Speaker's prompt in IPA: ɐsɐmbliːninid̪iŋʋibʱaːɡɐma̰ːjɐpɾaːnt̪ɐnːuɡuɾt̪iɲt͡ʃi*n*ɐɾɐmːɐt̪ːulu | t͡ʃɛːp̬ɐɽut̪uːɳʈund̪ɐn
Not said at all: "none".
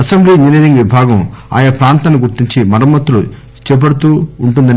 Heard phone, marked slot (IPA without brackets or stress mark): m